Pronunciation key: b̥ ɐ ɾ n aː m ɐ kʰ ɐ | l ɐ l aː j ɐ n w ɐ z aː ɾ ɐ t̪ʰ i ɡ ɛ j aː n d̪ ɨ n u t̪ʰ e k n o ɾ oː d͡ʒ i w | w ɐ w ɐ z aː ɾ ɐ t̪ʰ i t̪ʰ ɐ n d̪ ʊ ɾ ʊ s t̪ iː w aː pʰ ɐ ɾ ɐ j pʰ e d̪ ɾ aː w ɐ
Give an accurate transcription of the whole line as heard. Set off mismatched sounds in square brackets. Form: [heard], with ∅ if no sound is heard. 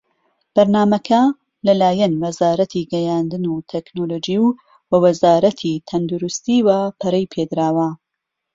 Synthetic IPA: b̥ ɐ ɾ n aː m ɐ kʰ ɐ | l ɐ l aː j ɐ n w ɐ z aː ɾ ɐ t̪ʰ i ɡ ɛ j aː n d̪ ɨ n u t̪ʰ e k n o [l] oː d͡ʒ i w | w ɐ w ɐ z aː ɾ ɐ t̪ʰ i t̪ʰ ɐ n d̪ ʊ ɾ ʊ s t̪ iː w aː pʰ ɐ ɾ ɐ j pʰ e d̪ ɾ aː w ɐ